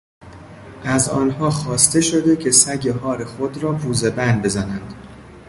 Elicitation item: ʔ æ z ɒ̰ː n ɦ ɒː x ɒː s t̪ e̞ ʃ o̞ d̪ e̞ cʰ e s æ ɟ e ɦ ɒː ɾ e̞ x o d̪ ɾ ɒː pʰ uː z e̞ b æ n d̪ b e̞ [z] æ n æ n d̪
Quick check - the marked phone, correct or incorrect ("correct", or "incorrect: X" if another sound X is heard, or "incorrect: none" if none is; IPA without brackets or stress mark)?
correct